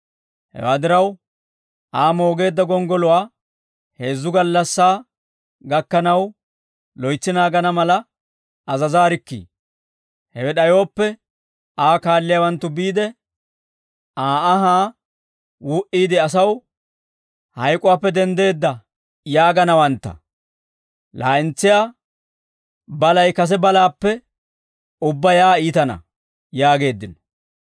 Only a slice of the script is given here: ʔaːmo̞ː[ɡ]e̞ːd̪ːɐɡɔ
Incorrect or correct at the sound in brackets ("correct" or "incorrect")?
correct